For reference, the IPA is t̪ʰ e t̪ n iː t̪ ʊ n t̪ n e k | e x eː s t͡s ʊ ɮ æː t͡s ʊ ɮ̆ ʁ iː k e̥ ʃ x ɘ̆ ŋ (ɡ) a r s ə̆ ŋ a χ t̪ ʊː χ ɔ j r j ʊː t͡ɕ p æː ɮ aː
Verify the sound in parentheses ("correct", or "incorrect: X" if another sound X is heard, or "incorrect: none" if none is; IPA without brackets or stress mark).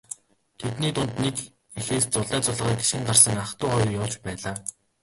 incorrect: ɢ